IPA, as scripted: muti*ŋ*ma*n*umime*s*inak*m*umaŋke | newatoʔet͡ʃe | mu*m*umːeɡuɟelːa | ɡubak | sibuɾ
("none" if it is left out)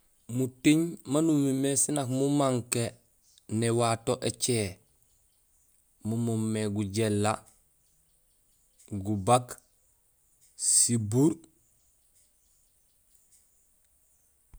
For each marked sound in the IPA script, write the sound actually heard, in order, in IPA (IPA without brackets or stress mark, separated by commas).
ɲ, n, s, m, m